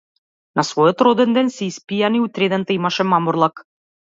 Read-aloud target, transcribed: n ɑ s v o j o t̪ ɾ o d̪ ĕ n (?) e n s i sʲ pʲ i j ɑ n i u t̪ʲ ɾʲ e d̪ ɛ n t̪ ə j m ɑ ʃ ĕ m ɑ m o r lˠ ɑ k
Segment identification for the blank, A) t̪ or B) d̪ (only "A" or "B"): B